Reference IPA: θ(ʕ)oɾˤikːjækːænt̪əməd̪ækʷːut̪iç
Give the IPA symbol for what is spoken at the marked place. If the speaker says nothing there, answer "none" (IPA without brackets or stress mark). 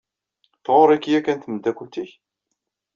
ʁ